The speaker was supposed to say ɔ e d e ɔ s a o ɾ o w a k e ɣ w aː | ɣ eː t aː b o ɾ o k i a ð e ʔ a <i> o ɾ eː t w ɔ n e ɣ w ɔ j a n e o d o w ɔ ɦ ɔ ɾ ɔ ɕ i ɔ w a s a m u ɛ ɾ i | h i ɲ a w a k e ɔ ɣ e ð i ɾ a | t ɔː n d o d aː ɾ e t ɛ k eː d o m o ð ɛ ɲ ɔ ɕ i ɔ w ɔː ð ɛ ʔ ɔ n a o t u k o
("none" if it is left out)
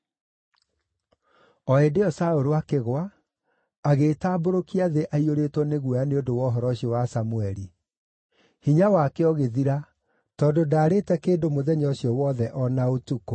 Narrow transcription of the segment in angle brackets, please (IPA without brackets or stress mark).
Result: i